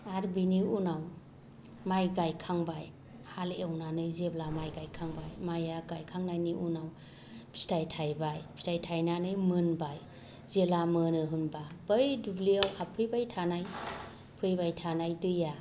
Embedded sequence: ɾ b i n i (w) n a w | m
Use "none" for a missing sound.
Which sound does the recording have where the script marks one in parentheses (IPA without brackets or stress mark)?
u